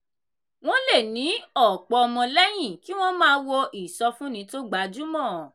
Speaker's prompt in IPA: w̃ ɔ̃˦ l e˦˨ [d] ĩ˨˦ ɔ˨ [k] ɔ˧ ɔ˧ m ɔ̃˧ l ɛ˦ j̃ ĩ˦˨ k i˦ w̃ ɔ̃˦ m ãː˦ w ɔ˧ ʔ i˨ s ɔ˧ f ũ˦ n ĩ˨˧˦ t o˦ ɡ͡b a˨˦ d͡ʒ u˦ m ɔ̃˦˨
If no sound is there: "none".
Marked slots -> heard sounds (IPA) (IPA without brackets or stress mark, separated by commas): n, k͡p